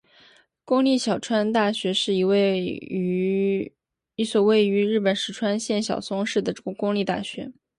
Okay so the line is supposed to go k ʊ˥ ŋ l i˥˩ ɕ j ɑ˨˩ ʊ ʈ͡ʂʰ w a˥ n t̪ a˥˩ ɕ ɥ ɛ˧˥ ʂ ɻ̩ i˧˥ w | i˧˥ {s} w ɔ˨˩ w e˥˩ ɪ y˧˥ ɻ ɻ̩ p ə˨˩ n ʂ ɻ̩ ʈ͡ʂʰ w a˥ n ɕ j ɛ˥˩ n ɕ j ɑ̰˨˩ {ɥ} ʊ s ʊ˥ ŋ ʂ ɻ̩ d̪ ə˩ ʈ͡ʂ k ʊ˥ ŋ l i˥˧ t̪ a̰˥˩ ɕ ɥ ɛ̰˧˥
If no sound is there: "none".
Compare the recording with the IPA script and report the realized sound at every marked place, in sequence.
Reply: s, none

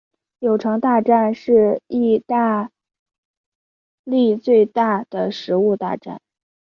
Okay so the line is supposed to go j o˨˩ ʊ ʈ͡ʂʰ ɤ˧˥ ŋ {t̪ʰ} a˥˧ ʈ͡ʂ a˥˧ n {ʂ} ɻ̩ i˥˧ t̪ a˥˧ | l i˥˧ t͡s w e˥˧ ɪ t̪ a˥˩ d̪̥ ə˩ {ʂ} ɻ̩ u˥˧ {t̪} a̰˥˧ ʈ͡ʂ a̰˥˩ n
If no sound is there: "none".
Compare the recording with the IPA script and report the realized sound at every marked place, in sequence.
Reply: t̪, ʂ, ʂ, t̪

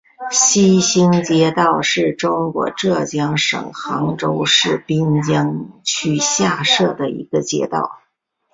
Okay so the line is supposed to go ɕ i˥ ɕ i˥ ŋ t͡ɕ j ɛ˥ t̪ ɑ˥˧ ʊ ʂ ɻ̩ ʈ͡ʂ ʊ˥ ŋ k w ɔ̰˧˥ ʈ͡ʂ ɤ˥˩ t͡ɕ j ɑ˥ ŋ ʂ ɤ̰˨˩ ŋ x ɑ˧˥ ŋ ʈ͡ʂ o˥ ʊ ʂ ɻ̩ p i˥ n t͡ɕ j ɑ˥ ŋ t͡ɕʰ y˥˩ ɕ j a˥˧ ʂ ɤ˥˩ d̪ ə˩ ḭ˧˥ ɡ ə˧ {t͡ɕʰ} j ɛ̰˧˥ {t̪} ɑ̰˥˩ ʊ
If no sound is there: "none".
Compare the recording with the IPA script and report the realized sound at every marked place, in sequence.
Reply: t͡ɕ, t̪

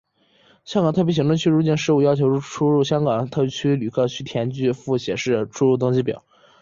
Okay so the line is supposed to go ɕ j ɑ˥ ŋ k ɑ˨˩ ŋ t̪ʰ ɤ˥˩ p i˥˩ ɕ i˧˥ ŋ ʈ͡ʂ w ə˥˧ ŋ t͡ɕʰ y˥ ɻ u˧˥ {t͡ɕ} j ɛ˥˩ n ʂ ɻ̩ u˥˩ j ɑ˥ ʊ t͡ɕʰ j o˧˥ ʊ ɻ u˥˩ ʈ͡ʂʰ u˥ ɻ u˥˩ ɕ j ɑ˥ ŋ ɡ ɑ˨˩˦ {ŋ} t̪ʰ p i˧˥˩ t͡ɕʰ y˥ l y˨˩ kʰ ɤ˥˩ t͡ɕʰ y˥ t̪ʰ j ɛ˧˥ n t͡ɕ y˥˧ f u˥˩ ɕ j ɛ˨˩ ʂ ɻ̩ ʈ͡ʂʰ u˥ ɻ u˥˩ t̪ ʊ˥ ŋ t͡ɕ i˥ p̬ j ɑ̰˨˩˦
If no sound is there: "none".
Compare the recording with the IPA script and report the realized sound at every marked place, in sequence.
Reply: t͡ɕ, ŋ

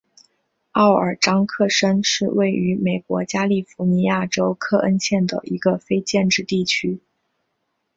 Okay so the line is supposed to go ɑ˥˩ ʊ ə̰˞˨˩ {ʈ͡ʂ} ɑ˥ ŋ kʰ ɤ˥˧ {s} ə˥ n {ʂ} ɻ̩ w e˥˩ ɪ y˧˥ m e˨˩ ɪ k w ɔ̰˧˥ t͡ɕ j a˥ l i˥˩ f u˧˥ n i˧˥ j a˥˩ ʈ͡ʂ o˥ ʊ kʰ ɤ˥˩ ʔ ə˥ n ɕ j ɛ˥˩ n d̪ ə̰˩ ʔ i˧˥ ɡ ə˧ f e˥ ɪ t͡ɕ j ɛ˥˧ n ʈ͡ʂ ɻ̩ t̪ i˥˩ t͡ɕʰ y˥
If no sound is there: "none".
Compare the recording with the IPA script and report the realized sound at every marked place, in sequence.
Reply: ʈ͡ʂ, ʂ, ʂ

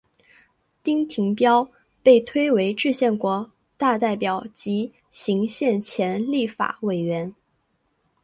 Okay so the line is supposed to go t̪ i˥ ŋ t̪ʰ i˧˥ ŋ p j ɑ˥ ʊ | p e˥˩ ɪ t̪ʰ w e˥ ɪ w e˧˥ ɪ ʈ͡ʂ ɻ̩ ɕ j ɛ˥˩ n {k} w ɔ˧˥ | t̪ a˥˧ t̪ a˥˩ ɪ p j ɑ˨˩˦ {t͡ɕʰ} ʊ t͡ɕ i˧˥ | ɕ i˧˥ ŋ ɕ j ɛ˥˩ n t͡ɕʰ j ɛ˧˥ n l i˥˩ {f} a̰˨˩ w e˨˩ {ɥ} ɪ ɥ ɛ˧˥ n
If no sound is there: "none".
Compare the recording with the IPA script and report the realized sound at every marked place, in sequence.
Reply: k, none, f, none

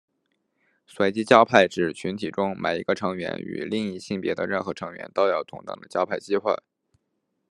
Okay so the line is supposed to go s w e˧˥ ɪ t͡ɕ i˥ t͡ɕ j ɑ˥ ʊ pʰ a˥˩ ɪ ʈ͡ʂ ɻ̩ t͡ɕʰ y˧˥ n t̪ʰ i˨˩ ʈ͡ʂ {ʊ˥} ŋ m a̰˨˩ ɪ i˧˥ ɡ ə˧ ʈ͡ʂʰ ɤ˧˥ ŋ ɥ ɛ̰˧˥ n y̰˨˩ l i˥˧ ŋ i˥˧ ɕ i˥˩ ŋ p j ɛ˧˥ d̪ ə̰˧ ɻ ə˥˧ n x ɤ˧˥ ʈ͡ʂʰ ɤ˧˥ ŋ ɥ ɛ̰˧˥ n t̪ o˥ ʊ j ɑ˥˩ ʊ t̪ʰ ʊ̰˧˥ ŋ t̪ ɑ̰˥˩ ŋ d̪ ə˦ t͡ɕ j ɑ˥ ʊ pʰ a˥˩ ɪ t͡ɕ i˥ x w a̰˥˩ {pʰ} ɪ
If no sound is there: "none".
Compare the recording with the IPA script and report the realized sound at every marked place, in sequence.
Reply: ʊ˥, none

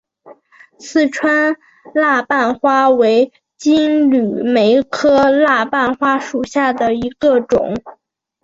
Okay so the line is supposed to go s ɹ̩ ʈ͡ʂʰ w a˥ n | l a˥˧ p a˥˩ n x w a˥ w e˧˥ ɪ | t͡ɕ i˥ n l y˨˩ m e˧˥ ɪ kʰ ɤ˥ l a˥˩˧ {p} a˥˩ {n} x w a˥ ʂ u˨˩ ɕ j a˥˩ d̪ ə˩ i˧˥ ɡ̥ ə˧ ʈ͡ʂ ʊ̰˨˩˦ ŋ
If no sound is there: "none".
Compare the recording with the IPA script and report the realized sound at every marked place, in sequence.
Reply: p, n

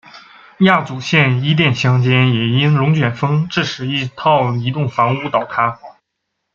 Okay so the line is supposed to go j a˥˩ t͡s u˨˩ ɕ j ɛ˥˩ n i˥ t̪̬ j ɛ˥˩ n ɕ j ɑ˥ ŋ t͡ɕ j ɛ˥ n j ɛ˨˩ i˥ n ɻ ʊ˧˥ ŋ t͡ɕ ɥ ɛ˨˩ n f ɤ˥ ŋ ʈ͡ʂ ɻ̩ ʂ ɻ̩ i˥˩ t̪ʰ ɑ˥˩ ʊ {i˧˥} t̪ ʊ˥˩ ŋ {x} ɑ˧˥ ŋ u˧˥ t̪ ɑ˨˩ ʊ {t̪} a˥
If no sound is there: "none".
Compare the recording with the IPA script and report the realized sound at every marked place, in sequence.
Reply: i˧˥, f, t̪ʰ

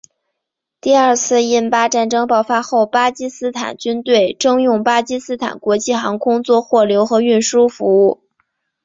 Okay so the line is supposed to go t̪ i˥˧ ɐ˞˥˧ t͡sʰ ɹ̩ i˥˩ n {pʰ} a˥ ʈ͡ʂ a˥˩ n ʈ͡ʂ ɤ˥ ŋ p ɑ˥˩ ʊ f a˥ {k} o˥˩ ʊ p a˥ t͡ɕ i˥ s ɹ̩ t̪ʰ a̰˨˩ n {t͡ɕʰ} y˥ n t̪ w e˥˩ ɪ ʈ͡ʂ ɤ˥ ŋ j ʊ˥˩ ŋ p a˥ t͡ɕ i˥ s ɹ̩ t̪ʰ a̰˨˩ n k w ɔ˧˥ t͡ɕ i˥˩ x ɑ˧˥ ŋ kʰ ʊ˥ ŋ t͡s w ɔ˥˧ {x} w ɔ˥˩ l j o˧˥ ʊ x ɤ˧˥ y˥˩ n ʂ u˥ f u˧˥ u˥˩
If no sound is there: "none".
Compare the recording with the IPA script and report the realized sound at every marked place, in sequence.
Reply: p, x, t͡ɕ, x

